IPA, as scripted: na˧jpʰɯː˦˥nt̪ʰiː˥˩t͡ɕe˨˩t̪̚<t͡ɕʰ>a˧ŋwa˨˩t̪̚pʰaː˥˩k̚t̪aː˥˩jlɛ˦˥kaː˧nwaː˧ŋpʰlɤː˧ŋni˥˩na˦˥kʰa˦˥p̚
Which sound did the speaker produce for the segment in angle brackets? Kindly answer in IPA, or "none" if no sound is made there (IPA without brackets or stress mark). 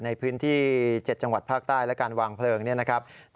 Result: t͡ɕ